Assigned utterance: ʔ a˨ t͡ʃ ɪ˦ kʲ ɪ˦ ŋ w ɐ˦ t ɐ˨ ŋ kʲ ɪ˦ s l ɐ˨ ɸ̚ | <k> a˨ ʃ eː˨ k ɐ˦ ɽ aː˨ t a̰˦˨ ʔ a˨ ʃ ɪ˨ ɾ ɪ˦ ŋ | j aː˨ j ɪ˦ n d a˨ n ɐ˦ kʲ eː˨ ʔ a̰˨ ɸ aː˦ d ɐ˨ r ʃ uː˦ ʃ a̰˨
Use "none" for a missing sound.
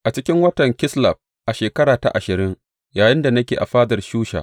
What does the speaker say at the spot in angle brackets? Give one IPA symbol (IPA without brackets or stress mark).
ʔ